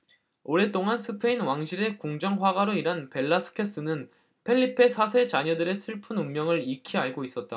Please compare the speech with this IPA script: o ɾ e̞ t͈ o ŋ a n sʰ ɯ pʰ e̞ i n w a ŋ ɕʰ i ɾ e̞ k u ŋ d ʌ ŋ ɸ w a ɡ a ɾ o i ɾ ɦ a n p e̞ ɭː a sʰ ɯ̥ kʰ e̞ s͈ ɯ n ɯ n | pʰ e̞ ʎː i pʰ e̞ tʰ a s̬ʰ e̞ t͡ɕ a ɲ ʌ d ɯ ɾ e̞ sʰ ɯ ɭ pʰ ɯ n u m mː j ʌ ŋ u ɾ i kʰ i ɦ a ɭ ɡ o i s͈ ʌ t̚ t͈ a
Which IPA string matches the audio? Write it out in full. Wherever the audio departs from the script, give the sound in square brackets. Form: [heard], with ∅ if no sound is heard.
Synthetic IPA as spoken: o ɾ e̞ t͈ o ŋ a n sʰ ɯ pʰ e̞ i n w a ŋ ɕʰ i ɾ e̞ k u ŋ [d͡ʑ] ʌ ŋ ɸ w a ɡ a ɾ o i ɾ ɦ a n p e̞ ɭː a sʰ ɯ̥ kʰ e̞ s͈ ɯ n ɯ n | pʰ e̞ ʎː i pʰ e̞ [sʰ] a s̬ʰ e̞ t͡ɕ a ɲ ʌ d ɯ ɾ e̞ sʰ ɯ ɭ pʰ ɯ n u m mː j ʌ ŋ [ɯ] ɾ i kʰ i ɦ a ɭ ɡ o i s͈ ʌ t̚ t͈ a